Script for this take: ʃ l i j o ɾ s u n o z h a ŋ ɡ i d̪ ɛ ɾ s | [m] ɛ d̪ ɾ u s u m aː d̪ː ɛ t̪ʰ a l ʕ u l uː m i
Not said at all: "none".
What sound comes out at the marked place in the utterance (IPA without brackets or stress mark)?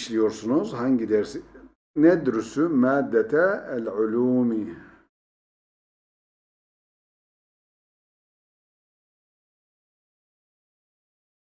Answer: n